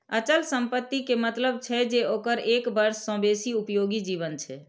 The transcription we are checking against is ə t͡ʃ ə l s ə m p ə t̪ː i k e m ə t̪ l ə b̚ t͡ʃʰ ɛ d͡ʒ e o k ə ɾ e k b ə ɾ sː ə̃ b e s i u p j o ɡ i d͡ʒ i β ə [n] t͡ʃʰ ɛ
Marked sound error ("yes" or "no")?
no